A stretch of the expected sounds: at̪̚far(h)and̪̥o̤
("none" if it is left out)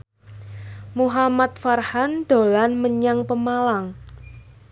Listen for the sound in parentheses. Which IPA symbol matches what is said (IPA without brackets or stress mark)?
h